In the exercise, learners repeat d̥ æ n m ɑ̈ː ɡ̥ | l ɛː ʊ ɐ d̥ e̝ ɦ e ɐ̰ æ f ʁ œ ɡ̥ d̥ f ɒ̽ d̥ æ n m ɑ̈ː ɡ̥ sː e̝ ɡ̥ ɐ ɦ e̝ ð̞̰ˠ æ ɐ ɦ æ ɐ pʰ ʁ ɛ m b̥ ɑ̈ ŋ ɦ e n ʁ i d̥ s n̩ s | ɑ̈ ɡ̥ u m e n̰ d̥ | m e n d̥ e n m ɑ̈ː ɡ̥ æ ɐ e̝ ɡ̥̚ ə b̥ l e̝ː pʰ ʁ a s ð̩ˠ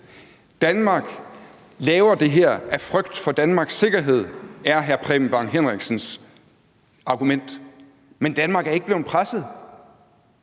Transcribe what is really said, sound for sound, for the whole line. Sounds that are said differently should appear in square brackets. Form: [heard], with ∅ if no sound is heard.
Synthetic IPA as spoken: d̥ æ n m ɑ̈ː ɡ̥ | l ɛː ʊ ɐ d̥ e̝ ɦ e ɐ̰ æ f ʁ œ ɡ̥ d̥ f ɒ̽ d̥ æ n m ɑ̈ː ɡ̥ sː e̝ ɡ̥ ɐ ɦ e̝ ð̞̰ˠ æ ɐ ɦ æ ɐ pʰ ʁ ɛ m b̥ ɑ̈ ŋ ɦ e n ʁ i [ɡ̥] s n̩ s | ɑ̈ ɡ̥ u m e n̰ d̥ | m e n d̥ [æ] n m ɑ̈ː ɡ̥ æ ɐ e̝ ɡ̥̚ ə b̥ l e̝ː pʰ ʁ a s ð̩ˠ

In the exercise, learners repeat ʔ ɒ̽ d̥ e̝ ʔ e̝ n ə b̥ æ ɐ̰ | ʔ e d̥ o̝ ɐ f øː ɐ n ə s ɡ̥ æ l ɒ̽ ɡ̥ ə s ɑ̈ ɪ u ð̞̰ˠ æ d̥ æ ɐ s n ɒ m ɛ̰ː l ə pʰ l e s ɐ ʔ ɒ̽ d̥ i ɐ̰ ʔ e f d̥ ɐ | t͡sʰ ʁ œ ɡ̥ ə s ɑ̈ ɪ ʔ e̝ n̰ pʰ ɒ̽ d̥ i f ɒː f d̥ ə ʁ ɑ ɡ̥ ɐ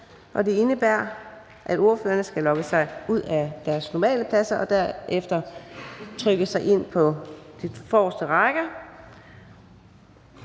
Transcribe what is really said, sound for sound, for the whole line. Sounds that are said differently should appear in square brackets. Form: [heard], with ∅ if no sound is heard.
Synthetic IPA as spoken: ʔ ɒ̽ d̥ e̝ [∅] e̝ n ə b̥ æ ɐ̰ | ʔ [æ] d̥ o̝ ɐ f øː ɐ n ə s ɡ̥ æ l ɒ̽ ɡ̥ ə s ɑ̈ ɪ u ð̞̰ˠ æ d̥ æ ɐ s n ɒ m ɛ̰ː l ə pʰ l [æ] s ɐ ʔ ɒ̽ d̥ [æ] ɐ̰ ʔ e f d̥ ɐ | t͡sʰ ʁ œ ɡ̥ ə s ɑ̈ ɪ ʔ e̝ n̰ pʰ ɒ̽ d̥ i f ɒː [s] d̥ ə ʁ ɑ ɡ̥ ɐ

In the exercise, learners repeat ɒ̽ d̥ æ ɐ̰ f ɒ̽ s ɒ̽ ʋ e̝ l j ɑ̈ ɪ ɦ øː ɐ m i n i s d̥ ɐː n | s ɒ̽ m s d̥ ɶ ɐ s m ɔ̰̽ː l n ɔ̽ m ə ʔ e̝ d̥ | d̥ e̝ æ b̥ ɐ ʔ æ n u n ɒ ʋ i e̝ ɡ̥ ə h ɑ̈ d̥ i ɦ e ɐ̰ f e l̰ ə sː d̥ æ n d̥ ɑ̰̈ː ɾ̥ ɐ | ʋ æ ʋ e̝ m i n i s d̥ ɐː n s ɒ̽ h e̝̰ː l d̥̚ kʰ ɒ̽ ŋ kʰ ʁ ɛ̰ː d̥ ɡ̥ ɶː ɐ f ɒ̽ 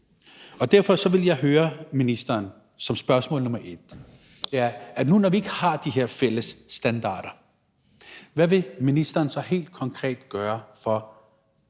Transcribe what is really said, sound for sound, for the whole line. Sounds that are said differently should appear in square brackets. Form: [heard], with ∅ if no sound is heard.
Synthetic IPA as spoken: ɒ̽ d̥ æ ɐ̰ f ɒ̽ s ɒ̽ ʋ e̝ l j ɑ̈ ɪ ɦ øː ɐ m i n i s d̥ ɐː n | s ɒ̽ m s [b̥] ɶ ɐ s m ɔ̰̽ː l n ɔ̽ m [ɐ] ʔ e̝ d̥ | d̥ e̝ æ [∅] ɐ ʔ æ n u n ɒ ʋ i e̝ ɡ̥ ə h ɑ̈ d̥ i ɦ e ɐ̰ f e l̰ ə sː d̥ æ n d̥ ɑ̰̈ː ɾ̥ ɐ | ʋ æ ʋ e̝ m i n i s d̥ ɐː n s ɒ̽ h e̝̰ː l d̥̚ kʰ ɒ̽ ŋ kʰ ʁ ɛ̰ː d̥ ɡ̥ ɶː ɐ f ɒ̽

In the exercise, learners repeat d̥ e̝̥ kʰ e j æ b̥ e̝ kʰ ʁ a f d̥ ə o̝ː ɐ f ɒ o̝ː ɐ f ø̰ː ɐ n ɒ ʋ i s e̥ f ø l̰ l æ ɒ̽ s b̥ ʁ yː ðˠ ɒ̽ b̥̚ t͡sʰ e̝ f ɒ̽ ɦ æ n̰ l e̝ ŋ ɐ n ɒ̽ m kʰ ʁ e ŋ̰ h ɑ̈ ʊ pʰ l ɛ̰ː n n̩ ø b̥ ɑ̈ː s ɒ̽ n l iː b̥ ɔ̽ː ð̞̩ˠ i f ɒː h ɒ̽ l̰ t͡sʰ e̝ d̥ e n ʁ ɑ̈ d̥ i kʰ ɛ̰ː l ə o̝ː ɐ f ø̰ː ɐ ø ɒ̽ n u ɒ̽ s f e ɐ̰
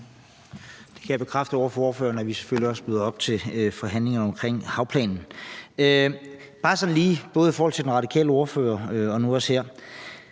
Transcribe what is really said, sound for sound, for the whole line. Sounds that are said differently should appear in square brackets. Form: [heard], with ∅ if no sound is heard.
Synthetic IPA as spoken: d̥ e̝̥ kʰ [æ] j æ b̥ e̝ kʰ ʁ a f d̥ ə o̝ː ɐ f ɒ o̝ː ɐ f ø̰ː ɐ n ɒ ʋ i s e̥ f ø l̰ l [i] ɒ̽ s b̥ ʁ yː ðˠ ɒ̽ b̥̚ t͡sʰ e̝ f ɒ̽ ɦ æ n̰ l e̝ ŋ ɐ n ɒ̽ m kʰ ʁ e ŋ̰ h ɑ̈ ʊ pʰ l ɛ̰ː n n̩ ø b̥ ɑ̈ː s ɒ̽ n l iː b̥ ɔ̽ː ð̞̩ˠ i f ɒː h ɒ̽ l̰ t͡sʰ e̝ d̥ e n ʁ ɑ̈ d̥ i kʰ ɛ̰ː l ə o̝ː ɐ f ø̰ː ɐ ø ɒ̽ n u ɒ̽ s [h] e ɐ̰

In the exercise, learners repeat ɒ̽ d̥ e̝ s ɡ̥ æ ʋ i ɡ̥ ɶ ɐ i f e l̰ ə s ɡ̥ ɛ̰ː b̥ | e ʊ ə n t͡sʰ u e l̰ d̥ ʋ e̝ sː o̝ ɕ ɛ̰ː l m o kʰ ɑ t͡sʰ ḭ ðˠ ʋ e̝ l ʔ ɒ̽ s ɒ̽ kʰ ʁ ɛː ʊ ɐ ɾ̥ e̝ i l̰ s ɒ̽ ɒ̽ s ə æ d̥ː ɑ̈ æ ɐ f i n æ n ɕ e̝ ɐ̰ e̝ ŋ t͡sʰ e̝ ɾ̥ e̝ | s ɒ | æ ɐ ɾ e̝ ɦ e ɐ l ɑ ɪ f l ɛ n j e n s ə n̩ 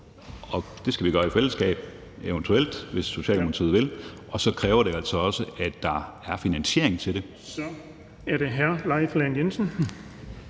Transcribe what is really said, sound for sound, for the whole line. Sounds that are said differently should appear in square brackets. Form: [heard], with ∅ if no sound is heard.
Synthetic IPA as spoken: ɒ̽ d̥ e̝ s ɡ̥ æ ʋ i ɡ̥ ɶ ɐ i f e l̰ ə s ɡ̥ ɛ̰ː b̥ | e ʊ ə n t͡sʰ u e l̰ d̥ ʋ e̝ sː o̝ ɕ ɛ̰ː l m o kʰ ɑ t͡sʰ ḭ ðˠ ʋ e̝ l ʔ ɒ̽ s ɒ̽ kʰ ʁ ɛː ʊ ɐ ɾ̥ e̝ [æ] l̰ s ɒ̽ ɒ̽ s ə æ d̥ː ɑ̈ æ ɐ f i n æ n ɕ e̝ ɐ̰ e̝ ŋ t͡sʰ e̝ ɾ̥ e̝ | s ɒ | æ ɐ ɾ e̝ ɦ [æ] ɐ l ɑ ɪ f l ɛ n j e n s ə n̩

